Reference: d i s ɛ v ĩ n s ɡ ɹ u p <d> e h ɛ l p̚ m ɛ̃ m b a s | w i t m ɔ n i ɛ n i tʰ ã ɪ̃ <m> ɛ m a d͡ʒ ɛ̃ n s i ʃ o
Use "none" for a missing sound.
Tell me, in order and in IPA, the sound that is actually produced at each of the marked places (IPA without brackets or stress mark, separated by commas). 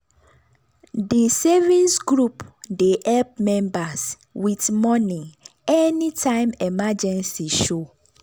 d, m